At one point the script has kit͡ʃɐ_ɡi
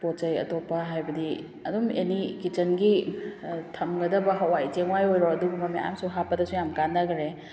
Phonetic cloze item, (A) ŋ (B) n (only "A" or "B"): B